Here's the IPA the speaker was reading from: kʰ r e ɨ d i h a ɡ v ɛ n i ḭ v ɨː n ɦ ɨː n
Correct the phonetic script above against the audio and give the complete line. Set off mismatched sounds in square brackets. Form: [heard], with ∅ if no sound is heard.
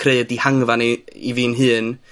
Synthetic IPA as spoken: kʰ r e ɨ d i h a [ŋ] v [a] n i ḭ v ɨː n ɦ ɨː n